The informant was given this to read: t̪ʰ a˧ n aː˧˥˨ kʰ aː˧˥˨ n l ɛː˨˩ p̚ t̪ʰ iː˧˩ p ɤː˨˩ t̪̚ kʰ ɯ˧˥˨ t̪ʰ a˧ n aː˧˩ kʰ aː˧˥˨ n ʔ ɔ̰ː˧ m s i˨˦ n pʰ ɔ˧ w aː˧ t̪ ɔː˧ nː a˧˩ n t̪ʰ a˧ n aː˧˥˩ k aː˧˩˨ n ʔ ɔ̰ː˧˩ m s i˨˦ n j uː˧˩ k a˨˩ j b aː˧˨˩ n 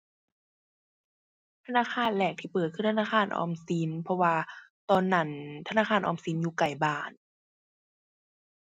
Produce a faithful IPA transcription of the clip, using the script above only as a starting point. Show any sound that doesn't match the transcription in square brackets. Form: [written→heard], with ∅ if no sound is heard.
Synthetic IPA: t̪ʰ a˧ n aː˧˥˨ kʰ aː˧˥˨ n l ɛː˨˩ [p̚→k̚] t̪ʰ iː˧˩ p ɤː˨˩ t̪̚ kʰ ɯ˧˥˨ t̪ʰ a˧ n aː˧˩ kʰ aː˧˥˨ n ʔ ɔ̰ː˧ m s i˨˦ n pʰ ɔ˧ w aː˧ t̪ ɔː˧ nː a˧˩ n t̪ʰ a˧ n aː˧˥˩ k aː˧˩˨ n ʔ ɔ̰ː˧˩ m s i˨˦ n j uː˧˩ k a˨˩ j b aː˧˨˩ n